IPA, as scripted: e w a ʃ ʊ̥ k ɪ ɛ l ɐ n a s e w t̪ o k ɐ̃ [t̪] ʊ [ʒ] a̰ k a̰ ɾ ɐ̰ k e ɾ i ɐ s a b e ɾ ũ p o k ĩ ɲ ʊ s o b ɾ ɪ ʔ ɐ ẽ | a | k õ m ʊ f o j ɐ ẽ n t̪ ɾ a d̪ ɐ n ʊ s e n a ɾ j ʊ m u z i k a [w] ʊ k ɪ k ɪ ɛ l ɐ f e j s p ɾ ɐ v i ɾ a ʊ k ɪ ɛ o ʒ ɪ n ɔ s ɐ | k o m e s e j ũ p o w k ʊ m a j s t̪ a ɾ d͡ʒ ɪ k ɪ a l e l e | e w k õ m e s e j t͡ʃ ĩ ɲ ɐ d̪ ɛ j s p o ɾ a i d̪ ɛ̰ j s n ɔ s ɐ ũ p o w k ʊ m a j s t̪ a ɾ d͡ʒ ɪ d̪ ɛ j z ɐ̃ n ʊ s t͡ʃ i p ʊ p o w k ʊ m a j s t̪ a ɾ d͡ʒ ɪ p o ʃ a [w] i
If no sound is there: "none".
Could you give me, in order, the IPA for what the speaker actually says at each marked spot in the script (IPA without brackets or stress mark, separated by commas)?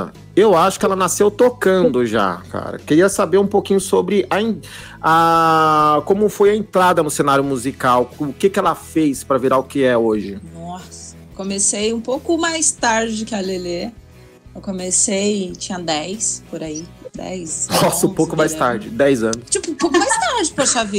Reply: d̪, ʒ, w, v